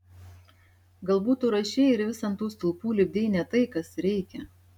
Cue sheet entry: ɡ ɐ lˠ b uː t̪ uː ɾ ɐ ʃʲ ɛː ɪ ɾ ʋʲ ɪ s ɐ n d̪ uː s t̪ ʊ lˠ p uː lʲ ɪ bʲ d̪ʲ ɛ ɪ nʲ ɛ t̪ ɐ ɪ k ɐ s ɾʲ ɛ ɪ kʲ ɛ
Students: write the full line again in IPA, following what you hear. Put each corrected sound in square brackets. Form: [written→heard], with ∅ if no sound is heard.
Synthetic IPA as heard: ɡ ɐ lˠ b uː t̪ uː ɾ ɐ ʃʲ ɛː ɪ ɾ ʋʲ ɪ s ɐ n [d̪→t̪] uː s t̪ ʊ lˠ p uː lʲ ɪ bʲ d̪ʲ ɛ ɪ nʲ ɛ t̪ ɐ ɪ k ɐ s ɾʲ ɛ ɪ kʲ ɛ